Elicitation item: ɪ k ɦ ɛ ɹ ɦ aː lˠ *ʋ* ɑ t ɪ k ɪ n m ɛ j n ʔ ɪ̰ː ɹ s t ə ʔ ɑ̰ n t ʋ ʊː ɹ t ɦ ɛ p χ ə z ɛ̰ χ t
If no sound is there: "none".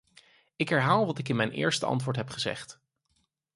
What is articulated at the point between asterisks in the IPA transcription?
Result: ʋ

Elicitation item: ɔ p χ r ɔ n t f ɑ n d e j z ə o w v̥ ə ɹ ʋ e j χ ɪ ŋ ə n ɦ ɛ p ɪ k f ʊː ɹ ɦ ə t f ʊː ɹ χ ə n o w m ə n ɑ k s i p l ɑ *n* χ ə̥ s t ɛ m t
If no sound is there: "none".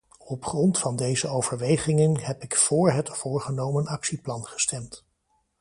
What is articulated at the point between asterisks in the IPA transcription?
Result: n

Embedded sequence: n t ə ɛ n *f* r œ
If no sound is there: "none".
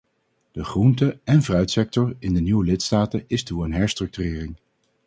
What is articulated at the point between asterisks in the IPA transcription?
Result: v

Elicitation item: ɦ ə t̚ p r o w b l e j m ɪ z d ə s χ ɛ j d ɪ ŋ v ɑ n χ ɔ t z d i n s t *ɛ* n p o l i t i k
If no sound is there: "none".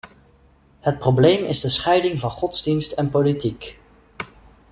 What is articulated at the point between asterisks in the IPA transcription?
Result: ɛ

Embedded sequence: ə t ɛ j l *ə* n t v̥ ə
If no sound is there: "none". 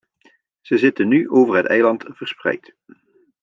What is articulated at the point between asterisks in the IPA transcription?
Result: ɑ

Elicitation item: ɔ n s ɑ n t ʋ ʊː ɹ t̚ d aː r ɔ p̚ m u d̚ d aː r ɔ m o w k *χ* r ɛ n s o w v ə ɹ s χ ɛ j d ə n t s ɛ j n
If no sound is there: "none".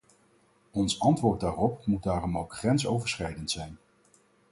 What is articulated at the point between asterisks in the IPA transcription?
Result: χ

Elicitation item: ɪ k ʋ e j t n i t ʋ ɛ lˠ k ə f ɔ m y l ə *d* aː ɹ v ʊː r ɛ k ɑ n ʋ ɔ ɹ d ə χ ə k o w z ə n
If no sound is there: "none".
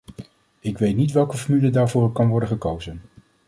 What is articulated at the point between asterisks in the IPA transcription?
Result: d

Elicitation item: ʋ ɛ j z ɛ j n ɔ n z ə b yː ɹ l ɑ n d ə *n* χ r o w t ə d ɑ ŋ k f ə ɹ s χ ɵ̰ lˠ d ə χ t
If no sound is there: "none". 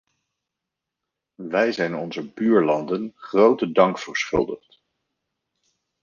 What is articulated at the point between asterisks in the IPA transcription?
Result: n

